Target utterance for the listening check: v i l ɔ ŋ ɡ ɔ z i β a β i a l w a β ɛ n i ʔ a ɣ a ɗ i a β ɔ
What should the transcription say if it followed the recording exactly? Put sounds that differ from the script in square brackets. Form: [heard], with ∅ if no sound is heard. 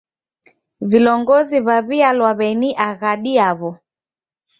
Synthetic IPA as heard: v i l ɔ ŋ ɡ ɔ z i β a β i a l w a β ɛ n i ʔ a ɣ a ɗ i a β ɔ